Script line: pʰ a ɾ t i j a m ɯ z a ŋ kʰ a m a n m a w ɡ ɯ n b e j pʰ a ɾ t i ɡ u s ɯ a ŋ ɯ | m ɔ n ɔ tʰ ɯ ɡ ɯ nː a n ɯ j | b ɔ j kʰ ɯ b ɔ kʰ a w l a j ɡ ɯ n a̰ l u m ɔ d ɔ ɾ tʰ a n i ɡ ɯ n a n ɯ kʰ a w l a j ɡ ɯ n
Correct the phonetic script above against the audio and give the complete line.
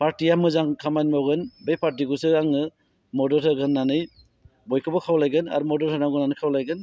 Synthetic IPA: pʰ a ɾ t i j a m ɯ z a ŋ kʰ a m a n m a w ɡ ɯ n b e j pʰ a ɾ t i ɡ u s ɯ a ŋ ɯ | m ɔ d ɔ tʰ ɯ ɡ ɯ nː a n ɯ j | b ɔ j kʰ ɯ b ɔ kʰ a w l a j ɡ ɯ n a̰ ɾ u m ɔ d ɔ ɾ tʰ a n a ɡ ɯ n a n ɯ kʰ a w l a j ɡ ɯ n